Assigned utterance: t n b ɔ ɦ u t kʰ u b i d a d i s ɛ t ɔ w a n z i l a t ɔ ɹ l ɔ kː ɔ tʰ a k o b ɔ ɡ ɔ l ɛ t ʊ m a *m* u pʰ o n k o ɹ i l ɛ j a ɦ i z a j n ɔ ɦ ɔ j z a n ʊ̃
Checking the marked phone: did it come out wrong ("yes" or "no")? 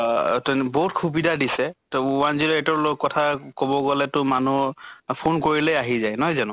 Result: yes